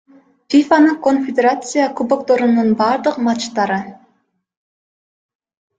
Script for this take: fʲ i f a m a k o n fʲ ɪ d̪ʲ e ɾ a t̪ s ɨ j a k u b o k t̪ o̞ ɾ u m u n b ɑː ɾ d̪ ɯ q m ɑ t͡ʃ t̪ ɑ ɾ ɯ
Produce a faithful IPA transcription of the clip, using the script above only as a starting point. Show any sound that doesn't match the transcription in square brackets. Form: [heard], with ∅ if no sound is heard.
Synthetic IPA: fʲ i f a [n] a k o n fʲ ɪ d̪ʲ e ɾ a t̪ s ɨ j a k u b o k t̪ o̞ ɾ u [n] u n b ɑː ɾ d̪ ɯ q m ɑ t͡ʃ t̪ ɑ ɾ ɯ